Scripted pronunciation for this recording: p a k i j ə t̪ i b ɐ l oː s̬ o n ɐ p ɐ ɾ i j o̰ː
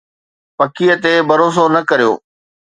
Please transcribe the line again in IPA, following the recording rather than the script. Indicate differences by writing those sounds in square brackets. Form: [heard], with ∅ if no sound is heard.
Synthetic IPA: p [ɐ] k i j ə t̪ [e] b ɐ [ɾ] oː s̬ o n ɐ [k] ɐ ɾ i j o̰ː